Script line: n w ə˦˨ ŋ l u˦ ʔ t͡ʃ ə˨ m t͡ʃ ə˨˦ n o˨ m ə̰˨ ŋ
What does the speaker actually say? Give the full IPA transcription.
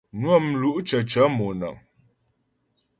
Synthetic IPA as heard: n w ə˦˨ m l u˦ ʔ t͡ʃ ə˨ t͡ʃ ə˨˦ m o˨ n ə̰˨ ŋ